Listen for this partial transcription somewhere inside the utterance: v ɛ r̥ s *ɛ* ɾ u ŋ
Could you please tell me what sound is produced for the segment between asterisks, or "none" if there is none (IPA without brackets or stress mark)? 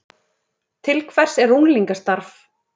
ɛ